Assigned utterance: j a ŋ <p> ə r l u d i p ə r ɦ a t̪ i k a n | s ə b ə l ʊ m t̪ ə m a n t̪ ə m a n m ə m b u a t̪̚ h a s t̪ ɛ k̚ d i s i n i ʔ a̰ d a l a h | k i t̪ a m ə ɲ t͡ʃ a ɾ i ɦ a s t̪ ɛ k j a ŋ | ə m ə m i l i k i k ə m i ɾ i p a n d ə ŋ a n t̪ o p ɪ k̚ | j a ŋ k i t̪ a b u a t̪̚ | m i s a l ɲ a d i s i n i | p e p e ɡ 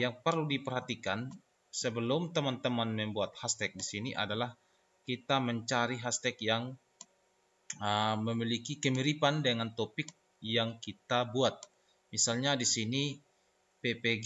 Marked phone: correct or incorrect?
correct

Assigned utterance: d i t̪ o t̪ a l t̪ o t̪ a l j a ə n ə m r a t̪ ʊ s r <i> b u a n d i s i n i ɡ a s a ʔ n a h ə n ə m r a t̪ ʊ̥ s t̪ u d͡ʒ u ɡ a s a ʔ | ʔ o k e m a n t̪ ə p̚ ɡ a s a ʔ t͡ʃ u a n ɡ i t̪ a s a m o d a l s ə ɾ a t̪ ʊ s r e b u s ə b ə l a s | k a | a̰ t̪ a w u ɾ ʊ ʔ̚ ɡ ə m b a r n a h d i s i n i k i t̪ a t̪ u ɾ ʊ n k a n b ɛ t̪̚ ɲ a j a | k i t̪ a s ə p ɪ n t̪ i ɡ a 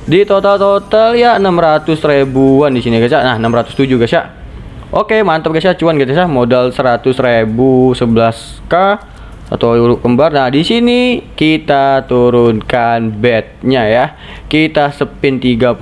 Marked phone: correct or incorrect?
incorrect: e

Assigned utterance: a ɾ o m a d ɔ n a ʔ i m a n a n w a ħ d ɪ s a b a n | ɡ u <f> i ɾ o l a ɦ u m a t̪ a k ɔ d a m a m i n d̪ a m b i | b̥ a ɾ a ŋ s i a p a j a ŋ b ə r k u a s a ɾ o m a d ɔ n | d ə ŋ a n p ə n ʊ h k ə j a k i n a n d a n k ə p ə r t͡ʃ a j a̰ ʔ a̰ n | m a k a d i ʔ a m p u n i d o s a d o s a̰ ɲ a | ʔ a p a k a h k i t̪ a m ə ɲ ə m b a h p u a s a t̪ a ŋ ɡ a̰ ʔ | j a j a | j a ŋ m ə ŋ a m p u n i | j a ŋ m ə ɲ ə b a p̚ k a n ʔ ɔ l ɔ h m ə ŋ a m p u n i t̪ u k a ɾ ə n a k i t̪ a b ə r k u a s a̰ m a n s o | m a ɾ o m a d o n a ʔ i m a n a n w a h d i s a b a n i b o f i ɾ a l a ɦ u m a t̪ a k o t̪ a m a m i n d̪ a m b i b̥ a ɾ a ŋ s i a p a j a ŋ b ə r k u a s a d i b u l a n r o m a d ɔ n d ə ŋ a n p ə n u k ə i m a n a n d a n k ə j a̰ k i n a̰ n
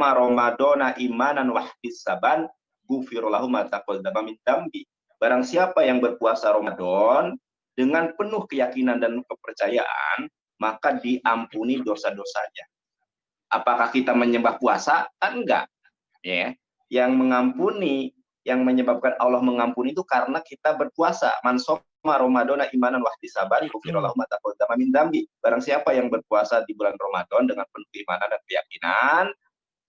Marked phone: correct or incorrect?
correct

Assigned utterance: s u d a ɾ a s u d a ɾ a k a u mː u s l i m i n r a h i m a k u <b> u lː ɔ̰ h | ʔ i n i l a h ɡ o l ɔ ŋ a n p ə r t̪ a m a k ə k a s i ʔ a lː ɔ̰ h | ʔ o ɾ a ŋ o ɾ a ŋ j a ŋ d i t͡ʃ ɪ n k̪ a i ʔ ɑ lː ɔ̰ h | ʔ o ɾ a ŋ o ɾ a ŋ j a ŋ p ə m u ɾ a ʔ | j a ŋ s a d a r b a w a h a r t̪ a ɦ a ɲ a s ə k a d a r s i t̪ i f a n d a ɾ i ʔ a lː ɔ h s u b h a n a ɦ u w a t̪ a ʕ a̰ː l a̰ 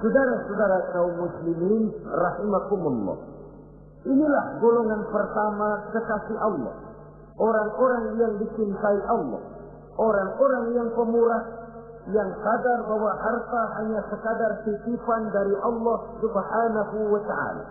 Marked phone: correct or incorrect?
incorrect: m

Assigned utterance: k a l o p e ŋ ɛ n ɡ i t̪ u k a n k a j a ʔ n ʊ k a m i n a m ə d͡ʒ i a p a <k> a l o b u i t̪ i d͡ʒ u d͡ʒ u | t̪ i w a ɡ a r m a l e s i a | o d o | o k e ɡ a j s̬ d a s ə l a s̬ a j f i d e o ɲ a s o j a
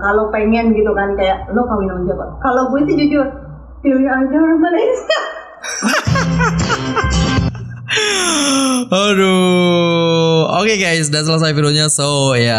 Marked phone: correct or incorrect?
correct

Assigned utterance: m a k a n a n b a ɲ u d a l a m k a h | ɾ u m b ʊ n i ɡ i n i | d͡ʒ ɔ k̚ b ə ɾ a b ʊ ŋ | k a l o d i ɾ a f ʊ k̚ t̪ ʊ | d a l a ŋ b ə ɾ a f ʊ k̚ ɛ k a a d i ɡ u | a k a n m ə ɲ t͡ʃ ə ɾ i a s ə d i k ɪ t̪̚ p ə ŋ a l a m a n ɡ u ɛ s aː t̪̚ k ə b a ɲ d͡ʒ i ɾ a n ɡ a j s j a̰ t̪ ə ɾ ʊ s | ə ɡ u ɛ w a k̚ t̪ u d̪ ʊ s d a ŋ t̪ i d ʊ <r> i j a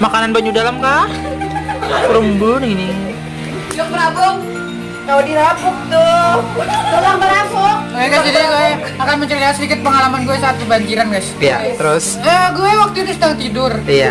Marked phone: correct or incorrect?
correct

